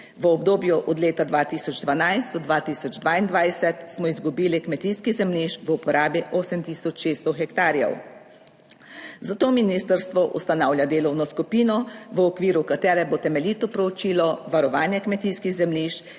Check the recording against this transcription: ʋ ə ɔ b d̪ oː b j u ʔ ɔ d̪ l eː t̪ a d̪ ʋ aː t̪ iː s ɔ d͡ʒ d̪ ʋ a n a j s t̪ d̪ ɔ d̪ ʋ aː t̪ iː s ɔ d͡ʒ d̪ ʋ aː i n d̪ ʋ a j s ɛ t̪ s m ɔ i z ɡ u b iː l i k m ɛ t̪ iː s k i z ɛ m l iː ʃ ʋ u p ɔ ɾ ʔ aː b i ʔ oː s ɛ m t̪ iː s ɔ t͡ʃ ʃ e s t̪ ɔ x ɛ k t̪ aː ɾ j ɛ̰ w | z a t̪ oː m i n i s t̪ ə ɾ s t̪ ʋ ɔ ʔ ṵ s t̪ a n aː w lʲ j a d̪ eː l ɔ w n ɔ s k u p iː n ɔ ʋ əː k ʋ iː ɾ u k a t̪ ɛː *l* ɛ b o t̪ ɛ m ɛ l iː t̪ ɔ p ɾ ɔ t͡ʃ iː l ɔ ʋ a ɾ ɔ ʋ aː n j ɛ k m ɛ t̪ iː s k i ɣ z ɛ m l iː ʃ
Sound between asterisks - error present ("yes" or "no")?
yes